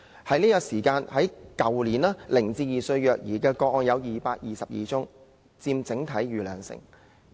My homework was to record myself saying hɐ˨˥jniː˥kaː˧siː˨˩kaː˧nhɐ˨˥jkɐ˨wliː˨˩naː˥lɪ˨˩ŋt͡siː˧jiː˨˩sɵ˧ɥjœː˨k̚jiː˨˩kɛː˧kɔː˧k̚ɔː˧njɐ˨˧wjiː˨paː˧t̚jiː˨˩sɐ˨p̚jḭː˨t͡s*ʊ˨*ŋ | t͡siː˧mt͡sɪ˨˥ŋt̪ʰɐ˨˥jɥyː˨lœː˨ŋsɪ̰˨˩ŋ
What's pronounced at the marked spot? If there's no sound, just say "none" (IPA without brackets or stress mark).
ʊ˥